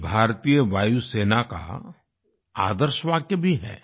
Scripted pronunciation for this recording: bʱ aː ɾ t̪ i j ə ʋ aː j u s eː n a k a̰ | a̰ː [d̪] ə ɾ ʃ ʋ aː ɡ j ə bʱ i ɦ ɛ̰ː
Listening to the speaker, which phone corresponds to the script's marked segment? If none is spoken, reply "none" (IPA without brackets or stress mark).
d̪